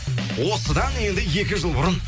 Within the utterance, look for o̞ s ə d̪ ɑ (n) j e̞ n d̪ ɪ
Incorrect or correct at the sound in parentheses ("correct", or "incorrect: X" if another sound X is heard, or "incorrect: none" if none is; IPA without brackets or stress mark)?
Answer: correct